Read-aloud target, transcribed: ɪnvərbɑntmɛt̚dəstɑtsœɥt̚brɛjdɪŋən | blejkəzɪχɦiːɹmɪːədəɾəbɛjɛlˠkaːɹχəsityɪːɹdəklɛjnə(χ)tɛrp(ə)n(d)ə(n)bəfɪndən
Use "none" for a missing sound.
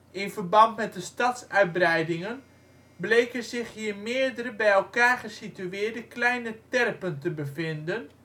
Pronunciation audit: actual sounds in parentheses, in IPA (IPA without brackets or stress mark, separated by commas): none, ə, t, none